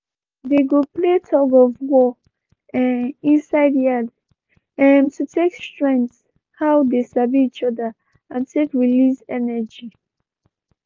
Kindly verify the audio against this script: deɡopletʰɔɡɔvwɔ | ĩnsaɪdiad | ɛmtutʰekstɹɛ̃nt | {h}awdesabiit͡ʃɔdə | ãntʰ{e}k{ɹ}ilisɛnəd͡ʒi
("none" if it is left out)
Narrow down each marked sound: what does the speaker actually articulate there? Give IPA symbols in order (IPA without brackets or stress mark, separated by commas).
h, e, ɹ